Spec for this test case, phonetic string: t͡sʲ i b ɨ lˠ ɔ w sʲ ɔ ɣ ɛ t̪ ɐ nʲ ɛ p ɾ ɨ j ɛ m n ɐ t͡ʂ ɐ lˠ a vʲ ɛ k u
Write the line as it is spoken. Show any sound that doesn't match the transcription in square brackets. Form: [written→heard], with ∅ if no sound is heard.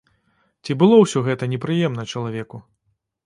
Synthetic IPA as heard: t͡sʲ i b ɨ lˠ ɔ w sʲ ɔ ɣ ɛ t̪ ɐ nʲ ɛ p ɾ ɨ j ɛ m n ɐ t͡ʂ ɐ lˠ a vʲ ɛ k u

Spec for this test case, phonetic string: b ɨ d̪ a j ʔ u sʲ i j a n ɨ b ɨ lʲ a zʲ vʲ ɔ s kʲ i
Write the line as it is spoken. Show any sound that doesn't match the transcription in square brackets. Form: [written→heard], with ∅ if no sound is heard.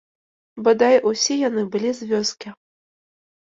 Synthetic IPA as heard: b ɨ d̪ a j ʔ u sʲ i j a n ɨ b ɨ lʲ [a→i] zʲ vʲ ɔ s kʲ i

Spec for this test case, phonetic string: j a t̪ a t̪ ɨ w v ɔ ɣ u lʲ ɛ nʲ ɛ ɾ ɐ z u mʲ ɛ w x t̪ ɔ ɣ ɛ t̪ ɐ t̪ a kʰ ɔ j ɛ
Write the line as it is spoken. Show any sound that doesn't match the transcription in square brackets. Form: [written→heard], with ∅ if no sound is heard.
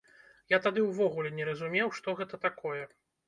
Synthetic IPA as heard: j a t̪ a [t̪→d̪] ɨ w v ɔ ɣ u lʲ ɛ nʲ ɛ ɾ ɐ z u mʲ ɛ w [x→ʂ] t̪ ɔ ɣ ɛ t̪ ɐ t̪ a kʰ ɔ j ɛ

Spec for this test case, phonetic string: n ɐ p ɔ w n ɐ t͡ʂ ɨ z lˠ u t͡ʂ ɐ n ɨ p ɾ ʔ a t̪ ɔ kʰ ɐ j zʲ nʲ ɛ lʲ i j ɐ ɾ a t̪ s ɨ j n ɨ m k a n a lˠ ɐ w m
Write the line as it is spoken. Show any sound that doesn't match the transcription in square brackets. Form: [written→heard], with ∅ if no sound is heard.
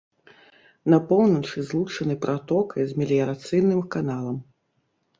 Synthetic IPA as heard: n ɐ p ɔ w n ɐ t͡ʂ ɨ z lˠ u t͡ʂ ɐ n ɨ p ɾ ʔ a t̪ ɔ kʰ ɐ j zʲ [nʲ→mʲ] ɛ lʲ i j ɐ ɾ a t̪ s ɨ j n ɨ m k a n a lˠ ɐ [w→∅] m

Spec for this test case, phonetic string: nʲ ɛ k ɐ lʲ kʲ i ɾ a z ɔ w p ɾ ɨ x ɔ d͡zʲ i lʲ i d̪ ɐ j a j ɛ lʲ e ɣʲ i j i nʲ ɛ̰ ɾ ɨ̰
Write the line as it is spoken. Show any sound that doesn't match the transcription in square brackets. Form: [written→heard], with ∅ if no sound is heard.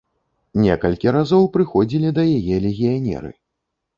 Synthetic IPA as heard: nʲ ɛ k ɐ lʲ kʲ i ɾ a z ɔ w p ɾ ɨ x ɔ d͡zʲ i lʲ i d̪ ɐ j a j ɛ lʲ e ɣʲ i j [i→a] nʲ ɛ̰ ɾ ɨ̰

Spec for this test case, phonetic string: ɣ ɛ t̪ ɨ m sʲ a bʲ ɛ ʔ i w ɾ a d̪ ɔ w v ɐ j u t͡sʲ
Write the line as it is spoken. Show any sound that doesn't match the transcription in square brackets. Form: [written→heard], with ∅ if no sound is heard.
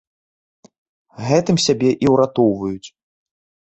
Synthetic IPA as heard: ɣ ɛ t̪ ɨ m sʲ a bʲ ɛ ʔ i w ɾ a [d̪→t̪] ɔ w v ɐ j u t͡sʲ

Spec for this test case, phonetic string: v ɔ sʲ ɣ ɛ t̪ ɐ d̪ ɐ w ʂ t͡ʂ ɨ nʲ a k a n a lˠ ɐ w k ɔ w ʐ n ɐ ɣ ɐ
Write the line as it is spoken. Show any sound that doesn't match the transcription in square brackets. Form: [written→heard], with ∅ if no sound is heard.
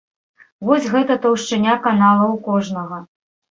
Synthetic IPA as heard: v ɔ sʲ ɣ ɛ t̪ ɐ [d̪→t̪] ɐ w ʂ t͡ʂ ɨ nʲ a k a n a lˠ ɐ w k ɔ [w→∅] ʐ n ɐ ɣ ɐ

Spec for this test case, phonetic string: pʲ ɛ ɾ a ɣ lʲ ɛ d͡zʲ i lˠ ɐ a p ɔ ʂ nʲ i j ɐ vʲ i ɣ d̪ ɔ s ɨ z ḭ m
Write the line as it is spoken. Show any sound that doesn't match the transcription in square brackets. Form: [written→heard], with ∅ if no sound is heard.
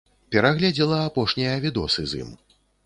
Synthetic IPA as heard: pʲ ɛ ɾ a ɣ lʲ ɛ d͡zʲ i lˠ ɐ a p ɔ ʂ nʲ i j ɐ vʲ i [ɣ→∅] d̪ ɔ s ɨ z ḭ m

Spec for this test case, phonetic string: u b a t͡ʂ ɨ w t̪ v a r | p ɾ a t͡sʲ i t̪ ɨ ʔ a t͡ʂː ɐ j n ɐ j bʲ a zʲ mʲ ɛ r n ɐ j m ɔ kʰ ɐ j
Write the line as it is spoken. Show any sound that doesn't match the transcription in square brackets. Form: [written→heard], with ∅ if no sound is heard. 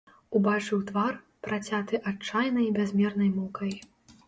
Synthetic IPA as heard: u b a t͡ʂ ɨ w t̪ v a r | p ɾ a t͡sʲ [i→a] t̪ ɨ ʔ a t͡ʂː [ɐ→a] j n ɐ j bʲ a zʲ mʲ ɛ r n ɐ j m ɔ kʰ ɐ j

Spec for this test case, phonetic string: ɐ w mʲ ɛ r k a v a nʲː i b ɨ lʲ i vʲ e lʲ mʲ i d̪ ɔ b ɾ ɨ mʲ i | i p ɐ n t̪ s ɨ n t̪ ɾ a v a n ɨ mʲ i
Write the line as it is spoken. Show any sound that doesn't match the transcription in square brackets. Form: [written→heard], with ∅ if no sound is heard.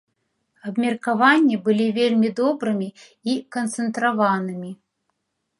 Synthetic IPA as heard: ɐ [w→b] mʲ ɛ r k a v a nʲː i b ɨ lʲ i vʲ e lʲ mʲ i d̪ ɔ b ɾ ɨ mʲ i | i [p→k] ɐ n t̪ s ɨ n t̪ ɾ a v a n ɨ mʲ i

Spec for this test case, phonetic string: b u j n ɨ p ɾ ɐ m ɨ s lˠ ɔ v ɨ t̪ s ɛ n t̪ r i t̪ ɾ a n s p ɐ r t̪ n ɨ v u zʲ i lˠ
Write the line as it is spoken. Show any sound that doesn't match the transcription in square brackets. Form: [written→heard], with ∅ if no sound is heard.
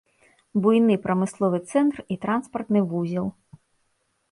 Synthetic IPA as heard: b u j n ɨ p ɾ ɐ m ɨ s lˠ ɔ v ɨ t̪ s ɛ n t̪ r i t̪ ɾ a n s p ɐ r t̪ n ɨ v u zʲ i lˠ

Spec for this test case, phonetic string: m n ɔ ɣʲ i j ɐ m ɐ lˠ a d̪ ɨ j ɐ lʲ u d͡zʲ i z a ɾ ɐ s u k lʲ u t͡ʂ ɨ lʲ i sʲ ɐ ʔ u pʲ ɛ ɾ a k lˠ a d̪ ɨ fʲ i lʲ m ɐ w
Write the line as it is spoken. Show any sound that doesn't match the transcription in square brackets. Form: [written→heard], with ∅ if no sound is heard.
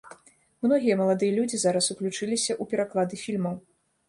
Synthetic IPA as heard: m n ɔ ɣʲ i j ɐ m ɐ lˠ a d̪ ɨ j ɐ lʲ u d͡zʲ i z a ɾ ɐ s u k lʲ u t͡ʂ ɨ lʲ i sʲ ɐ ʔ u pʲ ɛ ɾ a k lˠ a d̪ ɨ fʲ i lʲ m ɐ w

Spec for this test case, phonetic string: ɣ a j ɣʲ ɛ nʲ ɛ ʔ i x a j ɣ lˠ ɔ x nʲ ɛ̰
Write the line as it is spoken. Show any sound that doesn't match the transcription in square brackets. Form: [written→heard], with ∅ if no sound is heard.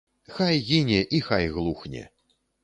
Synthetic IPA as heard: [ɣ→x] a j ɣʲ [ɛ→i] nʲ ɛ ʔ i x a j ɣ lˠ [ɔ→u] x nʲ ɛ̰

